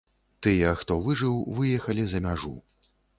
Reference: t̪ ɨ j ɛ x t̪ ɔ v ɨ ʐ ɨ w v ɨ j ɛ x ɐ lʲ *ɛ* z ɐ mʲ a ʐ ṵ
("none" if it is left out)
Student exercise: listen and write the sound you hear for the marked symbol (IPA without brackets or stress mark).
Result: i